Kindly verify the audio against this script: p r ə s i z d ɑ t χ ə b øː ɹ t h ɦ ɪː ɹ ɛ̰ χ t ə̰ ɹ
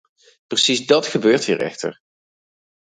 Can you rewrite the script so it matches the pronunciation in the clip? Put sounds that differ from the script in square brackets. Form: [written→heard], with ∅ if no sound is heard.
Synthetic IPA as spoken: p r ə s i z d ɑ t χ ə b øː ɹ t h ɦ [ɪː→iː] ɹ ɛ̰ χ t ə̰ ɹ